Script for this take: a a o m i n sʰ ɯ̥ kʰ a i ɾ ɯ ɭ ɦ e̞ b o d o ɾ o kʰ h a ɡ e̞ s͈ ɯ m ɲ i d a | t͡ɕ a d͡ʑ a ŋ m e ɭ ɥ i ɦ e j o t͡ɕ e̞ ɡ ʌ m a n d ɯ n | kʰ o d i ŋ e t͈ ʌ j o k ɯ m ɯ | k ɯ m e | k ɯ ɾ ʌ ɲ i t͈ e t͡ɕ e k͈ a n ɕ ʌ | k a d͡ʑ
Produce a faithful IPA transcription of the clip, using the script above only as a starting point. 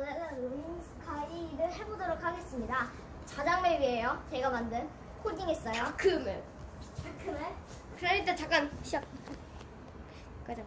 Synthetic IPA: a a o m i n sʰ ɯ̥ kʰ a i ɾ ɯ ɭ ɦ e̞ b o d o ɾ o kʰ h a ɡ e̞ s͈ ɯ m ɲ i d a | t͡ɕ a d͡ʑ a ŋ m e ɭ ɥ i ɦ e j o t͡ɕ e̞ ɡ a m a n d ɯ n | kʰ o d i ŋ e s͈ ʌ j o k ɯ m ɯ | k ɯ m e | k ɯ ɾ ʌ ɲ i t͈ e t͡ɕ a k͈ a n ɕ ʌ | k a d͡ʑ